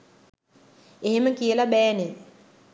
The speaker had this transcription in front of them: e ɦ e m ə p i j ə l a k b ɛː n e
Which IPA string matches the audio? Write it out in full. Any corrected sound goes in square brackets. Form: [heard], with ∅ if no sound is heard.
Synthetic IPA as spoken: e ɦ e m ə [k] i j ə l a [∅] b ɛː n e